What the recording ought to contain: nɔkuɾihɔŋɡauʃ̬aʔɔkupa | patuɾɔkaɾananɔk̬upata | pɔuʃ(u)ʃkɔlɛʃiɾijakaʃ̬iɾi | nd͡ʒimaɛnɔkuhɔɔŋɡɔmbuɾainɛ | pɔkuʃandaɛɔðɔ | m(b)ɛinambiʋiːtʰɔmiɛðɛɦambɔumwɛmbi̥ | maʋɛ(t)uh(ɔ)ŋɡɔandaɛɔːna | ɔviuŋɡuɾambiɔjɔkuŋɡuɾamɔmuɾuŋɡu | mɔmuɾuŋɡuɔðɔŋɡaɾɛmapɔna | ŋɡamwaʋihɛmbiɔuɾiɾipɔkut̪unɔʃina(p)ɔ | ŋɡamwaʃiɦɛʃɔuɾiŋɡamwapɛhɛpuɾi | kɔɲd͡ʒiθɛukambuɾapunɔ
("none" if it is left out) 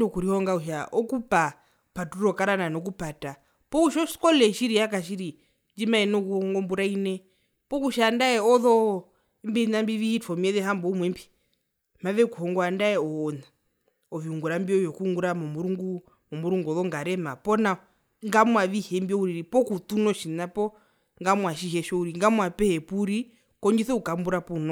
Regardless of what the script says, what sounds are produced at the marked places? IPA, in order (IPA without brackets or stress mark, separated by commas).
ɔ, b, k, ɔ, p